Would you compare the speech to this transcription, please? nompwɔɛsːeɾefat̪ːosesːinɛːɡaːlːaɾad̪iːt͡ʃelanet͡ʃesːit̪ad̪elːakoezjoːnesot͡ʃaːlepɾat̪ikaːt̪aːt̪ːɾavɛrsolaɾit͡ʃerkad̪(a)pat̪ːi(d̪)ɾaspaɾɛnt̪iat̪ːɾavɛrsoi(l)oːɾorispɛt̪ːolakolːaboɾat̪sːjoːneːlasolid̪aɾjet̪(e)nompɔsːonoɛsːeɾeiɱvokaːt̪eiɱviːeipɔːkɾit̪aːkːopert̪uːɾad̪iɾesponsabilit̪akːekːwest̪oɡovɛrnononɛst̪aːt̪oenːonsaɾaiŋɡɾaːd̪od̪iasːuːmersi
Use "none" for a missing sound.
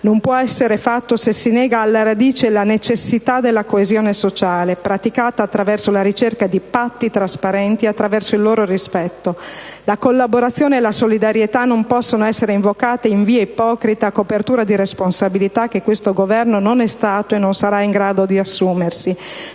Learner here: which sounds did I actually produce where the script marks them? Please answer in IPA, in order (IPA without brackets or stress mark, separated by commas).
i, t̪, lː, a